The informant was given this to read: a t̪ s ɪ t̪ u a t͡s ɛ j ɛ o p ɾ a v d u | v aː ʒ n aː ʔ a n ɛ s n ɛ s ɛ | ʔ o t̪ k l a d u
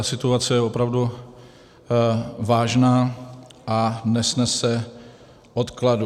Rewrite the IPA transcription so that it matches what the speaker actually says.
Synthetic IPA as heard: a s ɪ t̪ u a t͡s ɛ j ɛ o p ɾ a v d u | v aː ʒ n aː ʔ a n ɛ s n ɛ s ɛ | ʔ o t̪ k l a d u